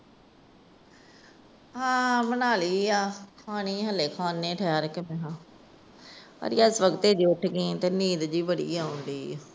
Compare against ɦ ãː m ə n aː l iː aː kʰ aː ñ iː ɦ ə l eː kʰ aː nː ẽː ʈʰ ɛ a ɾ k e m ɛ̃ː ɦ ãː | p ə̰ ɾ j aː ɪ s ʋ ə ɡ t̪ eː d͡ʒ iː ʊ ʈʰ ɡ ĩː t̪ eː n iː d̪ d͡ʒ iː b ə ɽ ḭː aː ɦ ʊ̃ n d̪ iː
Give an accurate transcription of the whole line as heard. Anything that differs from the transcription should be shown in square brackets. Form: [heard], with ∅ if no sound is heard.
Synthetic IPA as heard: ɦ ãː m ə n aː l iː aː kʰ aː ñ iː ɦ ə l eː kʰ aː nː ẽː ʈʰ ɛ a ɾ k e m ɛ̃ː ɦ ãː | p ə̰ ɾ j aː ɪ s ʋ ə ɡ t̪ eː d͡ʒ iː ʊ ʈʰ ɡ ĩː t̪ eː n iː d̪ d͡ʒ iː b ə ɽ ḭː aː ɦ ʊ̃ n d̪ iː

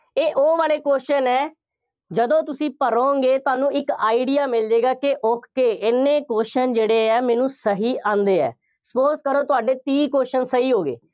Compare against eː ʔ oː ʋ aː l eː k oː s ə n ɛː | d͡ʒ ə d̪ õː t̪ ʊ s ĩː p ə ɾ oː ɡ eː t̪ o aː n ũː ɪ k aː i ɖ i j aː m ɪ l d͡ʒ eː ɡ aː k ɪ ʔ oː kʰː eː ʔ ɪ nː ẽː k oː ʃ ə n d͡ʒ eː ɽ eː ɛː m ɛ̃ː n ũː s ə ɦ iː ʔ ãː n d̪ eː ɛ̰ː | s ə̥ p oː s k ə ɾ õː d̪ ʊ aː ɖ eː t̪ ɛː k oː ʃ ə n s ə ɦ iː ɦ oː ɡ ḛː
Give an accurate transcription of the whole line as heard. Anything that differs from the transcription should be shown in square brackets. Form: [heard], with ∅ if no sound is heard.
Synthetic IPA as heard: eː ʔ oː ʋ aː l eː k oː [ʃ] ə n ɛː | d͡ʒ ə d̪ õː t̪ ʊ s ĩː p ə ɾ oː ɡ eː t̪ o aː n ũː ɪ k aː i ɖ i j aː m ɪ l d͡ʒ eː ɡ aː k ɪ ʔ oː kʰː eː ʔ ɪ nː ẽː k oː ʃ ə n d͡ʒ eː ɽ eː ɛː m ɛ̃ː n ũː s ə ɦ iː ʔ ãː n d̪ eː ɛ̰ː | s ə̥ p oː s k ə ɾ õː [t̪] ʊ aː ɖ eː t̪ [iː] k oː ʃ ə n s ə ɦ iː ɦ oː ɡ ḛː

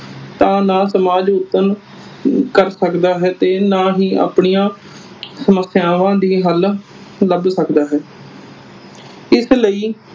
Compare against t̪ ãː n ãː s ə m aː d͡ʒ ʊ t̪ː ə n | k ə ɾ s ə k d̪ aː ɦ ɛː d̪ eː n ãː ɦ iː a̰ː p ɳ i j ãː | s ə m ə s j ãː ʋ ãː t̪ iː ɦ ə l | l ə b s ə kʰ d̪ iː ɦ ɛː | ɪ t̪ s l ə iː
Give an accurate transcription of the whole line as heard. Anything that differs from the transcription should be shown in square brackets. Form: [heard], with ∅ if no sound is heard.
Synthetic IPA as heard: t̪ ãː n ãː s ə m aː d͡ʒ ʊ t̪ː ə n | k ə ɾ s ə k d̪ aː ɦ ɛː [t̪] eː n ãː ɦ iː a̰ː p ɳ i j ãː | s ə m ə s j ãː ʋ ãː [d̪] iː ɦ ə l | l ə b s ə [k] d̪ [aː] ɦ ɛː | ɪ [∅] s l ə iː

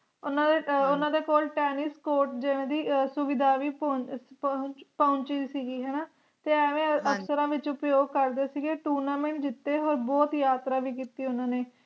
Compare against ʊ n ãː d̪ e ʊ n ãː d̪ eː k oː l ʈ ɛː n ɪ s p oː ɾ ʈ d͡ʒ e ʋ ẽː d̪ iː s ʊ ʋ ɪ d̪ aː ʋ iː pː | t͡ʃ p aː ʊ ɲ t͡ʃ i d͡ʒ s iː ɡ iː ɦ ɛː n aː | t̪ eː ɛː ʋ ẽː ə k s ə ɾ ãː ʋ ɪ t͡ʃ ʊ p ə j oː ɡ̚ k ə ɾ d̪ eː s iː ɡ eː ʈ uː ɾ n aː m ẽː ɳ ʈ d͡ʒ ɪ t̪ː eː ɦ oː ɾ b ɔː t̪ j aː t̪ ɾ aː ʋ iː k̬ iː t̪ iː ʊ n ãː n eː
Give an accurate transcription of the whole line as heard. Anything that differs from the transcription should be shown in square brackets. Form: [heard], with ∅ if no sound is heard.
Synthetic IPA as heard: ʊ n ãː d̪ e ʊ n ãː d̪ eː k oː l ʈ ɛː n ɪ s [k] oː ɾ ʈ d͡ʒ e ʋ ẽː d̪ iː s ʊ ʋ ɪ d̪ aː ʋ iː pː | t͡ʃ p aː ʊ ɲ t͡ʃ i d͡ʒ s iː ɡ iː ɦ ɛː n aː | t̪ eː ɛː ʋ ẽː ə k s ə ɾ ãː ʋ ɪ t͡ʃ ʊ p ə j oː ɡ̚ k ə ɾ d̪ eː s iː ɡ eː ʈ uː ɾ n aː m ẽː ɳ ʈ d͡ʒ ɪ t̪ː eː ɦ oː ɾ b ɔː t̪ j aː t̪ ɾ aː ʋ iː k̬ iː t̪ iː ʊ n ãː n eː

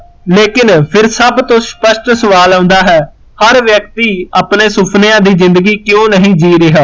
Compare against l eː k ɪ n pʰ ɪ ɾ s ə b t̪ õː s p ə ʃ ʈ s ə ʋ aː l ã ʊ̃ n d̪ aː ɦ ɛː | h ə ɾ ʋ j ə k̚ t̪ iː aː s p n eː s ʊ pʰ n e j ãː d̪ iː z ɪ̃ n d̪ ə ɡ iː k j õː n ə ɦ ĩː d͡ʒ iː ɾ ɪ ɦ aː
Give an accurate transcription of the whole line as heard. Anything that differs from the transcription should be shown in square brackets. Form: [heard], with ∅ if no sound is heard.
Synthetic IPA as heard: l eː k ɪ n pʰ ɪ ɾ s ə b t̪ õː s p ə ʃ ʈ s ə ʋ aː l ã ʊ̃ n d̪ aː ɦ ɛː | h ə ɾ ʋ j ə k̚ t̪ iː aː [∅] p n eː s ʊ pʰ n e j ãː d̪ iː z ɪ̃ n d̪ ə ɡ iː k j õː n ə ɦ ĩː d͡ʒ iː ɾ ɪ ɦ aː

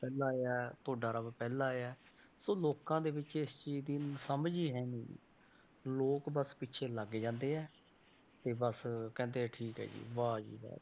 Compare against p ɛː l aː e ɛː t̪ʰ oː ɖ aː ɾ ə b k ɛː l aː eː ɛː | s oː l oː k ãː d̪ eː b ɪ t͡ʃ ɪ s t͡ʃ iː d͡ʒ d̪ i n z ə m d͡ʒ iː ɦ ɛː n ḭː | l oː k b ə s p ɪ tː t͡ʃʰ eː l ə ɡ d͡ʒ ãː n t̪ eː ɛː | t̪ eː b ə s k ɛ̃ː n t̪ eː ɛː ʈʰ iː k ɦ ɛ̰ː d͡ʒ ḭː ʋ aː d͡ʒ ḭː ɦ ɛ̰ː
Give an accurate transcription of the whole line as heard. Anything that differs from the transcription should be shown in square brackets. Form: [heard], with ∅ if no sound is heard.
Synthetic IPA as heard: p ɛː l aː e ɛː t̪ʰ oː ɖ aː ɾ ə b [p] ɛː l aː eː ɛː | s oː l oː k ãː d̪ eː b ɪ t͡ʃ ɪ s t͡ʃ iː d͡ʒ d̪ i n [s] ə m d͡ʒ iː ɦ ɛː n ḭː | l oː k b ə s p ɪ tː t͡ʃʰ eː l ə ɡ d͡ʒ ãː n [d̪] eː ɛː | t̪ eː b ə s k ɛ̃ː n [d̪] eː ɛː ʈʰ iː k ɦ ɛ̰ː d͡ʒ ḭː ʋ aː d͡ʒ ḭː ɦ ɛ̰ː

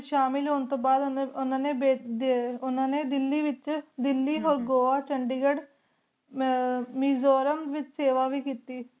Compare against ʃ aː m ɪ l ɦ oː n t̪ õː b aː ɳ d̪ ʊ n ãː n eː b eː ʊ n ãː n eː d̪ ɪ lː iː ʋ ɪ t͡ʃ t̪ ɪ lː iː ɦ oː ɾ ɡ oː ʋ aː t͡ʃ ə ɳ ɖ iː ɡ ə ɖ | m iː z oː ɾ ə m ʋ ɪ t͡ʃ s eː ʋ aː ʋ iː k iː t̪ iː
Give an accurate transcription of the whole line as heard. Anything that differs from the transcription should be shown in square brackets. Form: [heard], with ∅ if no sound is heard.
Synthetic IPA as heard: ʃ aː m ɪ l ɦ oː n t̪ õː b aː [∅] d̪ ʊ n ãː n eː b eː ʊ n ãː n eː d̪ ɪ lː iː ʋ ɪ t͡ʃ [d̪] ɪ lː iː ɦ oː ɾ ɡ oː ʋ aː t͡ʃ ə ɳ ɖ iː ɡ ə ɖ | m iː z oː ɾ ə m ʋ ɪ t͡ʃ s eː ʋ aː ʋ iː k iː t̪ iː

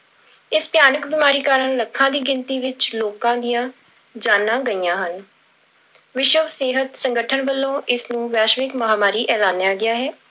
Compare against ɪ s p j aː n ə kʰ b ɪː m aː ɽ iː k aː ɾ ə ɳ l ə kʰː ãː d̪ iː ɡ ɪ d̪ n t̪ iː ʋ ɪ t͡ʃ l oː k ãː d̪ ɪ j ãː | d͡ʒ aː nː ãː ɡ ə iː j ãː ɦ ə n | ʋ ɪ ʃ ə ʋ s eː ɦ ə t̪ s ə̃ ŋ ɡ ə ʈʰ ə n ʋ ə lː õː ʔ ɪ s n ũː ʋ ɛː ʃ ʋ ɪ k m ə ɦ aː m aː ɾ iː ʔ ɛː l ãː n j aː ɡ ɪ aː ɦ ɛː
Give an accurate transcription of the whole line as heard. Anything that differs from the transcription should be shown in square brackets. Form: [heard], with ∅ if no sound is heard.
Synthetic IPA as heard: ɪ s p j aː n ə [k] b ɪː m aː [ɾ] iː k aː ɾ ə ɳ l ə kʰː ãː d̪ iː ɡ ɪ [∅] n t̪ iː ʋ ɪ t͡ʃ l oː k ãː d̪ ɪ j ãː | d͡ʒ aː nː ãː ɡ ə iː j ãː ɦ ə n | ʋ ɪ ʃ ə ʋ s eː ɦ ə t̪ s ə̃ ŋ ɡ ə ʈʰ ə n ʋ ə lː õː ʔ ɪ s n ũː ʋ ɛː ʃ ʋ ɪ k m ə ɦ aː m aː ɾ iː ʔ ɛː l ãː n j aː ɡ ɪ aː ɦ ɛː

